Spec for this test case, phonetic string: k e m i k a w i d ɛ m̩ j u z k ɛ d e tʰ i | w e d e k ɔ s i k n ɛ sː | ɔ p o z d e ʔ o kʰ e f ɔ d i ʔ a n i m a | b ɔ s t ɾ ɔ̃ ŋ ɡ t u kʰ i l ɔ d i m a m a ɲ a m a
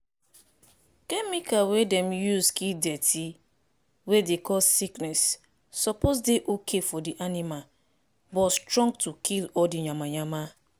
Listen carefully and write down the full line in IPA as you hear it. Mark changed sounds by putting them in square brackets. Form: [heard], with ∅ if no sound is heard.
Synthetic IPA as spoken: k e m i k a w [e] d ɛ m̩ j u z k [i] d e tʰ i | w e d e k ɔ s i k n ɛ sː | ɔ p o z d e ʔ o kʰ e f ɔ d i ʔ a n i m a | b ɔ s t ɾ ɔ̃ ŋ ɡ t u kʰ i l ɔ d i [ɲ] a m a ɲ a m a